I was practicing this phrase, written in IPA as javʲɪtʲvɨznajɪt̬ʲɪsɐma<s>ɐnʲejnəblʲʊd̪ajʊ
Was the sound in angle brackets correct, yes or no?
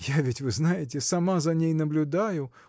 no